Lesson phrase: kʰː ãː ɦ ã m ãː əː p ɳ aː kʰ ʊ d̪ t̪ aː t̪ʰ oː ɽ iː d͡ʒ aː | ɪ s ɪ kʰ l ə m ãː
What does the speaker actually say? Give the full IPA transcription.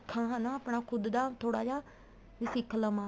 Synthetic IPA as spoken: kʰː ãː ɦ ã n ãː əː p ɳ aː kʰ ʊ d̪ d̪ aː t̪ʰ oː ɽ aː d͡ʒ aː | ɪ s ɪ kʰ l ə m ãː